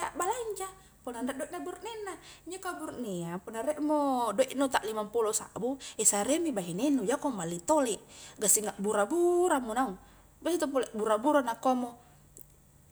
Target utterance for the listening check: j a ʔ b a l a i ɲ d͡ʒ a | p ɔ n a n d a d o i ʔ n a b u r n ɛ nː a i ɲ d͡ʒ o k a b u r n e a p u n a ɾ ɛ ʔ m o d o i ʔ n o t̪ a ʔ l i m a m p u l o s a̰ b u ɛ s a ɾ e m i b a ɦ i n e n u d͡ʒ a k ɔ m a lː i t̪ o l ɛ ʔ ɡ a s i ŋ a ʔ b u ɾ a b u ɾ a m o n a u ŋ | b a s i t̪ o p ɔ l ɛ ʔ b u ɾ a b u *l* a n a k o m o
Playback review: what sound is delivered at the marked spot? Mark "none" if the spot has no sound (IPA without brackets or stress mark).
ɾ